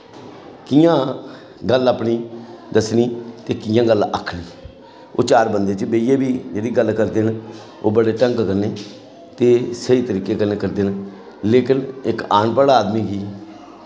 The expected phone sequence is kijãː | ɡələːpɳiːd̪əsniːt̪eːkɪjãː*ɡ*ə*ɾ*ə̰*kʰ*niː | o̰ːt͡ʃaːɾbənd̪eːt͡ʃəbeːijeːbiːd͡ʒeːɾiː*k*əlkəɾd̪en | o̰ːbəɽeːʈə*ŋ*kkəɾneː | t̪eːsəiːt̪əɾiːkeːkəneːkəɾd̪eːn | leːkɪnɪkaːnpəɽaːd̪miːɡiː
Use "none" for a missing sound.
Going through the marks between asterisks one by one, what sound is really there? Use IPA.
ɡ, l, kʰ, ɡ, ŋ

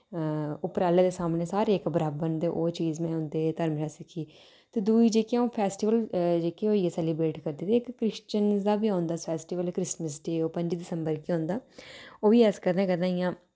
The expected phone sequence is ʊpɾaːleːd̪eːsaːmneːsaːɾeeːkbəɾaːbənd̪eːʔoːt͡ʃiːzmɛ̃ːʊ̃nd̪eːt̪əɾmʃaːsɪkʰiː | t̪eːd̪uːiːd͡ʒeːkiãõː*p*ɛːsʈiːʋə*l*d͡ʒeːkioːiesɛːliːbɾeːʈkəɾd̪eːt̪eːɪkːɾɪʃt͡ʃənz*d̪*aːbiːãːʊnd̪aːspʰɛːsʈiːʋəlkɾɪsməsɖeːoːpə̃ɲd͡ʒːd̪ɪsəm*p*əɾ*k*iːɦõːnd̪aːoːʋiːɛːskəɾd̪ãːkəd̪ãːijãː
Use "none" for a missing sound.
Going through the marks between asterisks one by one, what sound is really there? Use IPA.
pʰ, l, d̪, b, k

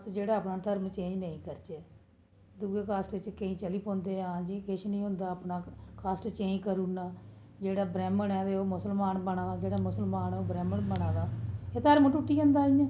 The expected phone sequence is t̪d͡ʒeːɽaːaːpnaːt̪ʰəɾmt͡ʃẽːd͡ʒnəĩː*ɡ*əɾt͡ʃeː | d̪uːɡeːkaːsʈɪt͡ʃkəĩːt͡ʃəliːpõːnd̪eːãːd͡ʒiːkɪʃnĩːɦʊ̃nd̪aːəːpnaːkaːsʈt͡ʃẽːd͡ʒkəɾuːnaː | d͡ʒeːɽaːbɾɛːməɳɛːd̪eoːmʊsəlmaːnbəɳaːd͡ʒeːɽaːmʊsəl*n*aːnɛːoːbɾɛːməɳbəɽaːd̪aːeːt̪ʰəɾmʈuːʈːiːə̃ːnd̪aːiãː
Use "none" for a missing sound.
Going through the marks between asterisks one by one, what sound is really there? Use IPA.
k, m

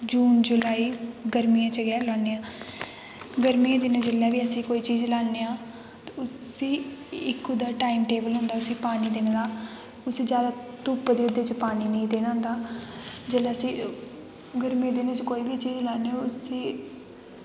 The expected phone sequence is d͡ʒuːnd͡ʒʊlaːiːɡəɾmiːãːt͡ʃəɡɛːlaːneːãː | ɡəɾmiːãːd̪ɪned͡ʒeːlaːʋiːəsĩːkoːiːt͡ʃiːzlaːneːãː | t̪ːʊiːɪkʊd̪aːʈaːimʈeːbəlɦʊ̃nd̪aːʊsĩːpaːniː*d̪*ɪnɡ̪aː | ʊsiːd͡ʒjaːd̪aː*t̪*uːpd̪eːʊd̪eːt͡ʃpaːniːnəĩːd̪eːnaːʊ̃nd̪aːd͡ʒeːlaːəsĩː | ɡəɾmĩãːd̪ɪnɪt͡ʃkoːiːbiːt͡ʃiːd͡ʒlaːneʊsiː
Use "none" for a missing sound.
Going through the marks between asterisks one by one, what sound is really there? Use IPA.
d̪, t̪

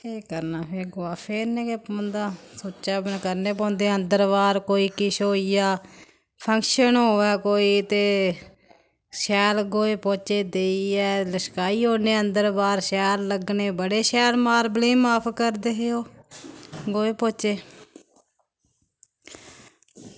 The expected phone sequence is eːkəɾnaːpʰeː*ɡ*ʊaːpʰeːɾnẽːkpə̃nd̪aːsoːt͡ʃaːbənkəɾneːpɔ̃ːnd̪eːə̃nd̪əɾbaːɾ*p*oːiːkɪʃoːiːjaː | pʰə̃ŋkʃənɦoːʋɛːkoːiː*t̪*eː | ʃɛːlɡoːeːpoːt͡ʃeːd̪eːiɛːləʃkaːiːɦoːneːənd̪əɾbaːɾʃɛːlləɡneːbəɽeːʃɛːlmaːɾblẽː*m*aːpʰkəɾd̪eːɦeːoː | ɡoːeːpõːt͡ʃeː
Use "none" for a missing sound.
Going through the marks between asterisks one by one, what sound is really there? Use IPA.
ɡ, k, t̪, m

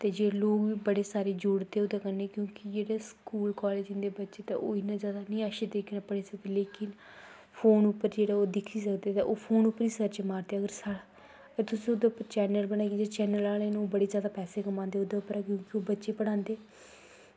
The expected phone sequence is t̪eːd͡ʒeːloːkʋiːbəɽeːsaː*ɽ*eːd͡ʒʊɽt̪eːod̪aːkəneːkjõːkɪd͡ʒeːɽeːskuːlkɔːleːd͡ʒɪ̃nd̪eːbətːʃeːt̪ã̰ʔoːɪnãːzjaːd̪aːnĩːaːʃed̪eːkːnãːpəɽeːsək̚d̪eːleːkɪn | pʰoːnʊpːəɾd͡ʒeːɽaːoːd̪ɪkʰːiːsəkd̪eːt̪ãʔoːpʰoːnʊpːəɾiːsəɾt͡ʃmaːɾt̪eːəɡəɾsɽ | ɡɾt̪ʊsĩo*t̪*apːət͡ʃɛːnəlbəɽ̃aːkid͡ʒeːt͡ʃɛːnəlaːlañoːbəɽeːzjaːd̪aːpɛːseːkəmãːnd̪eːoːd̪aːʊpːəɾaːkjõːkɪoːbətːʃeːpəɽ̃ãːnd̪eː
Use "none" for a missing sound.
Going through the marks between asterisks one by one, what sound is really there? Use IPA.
ɾ, d̪

